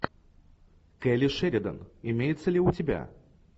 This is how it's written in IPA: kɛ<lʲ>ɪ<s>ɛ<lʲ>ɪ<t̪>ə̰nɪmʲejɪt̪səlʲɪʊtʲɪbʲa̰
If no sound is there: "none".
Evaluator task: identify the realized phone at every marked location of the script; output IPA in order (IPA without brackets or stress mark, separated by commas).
lʲ, ʂ, ɾʲ, d̪